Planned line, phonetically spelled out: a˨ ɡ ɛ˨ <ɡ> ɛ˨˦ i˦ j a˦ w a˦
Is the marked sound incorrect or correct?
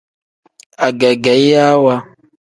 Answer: correct